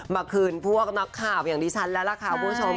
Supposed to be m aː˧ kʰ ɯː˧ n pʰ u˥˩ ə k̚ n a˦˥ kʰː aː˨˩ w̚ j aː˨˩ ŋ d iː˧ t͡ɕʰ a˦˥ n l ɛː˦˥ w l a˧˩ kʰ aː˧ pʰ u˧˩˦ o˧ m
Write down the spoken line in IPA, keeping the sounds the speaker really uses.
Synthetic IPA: m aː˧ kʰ ɯː˧ n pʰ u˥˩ ə k̚ n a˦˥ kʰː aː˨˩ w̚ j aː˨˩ ŋ d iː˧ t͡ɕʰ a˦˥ n l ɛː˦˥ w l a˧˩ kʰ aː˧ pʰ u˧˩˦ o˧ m